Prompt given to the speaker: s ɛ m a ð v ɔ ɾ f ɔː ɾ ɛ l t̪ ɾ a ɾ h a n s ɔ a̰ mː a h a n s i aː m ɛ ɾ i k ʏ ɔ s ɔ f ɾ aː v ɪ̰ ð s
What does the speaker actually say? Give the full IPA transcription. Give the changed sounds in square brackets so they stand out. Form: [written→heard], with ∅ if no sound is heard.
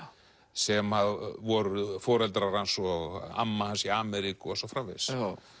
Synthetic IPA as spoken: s ɛ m a ð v ɔ ɾ f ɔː ɾ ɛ l t̪ ɾ a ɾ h a n s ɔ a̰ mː a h a n s i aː m ɛ ɾ i k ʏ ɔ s ɔ f ɾ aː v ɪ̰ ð s